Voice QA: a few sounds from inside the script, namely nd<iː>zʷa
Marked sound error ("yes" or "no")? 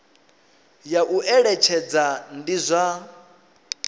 yes